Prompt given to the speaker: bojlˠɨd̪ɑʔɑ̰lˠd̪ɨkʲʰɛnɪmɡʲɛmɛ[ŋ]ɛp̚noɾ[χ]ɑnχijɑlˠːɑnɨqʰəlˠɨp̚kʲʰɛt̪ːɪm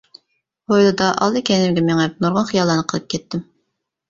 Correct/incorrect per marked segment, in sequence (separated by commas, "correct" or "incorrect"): correct, incorrect